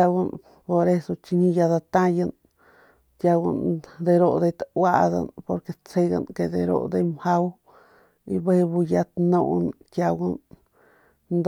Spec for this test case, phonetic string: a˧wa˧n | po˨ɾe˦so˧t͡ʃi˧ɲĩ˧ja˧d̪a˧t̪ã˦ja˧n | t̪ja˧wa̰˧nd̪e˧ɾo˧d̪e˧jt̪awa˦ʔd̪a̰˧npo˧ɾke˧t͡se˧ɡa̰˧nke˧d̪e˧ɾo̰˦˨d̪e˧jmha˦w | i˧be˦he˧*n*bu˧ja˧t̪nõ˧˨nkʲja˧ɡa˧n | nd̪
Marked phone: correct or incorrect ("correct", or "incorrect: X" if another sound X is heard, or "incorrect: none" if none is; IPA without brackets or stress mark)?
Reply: incorrect: none